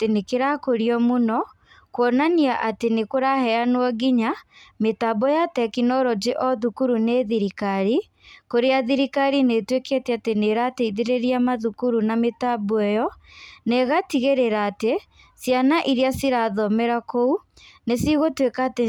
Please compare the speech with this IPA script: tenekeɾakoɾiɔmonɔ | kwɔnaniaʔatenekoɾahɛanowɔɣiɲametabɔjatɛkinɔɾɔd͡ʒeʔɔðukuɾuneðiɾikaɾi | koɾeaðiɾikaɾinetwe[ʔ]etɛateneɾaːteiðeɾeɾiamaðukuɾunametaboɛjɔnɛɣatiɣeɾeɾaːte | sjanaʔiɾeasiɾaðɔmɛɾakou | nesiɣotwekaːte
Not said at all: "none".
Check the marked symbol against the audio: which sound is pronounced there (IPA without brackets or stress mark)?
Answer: k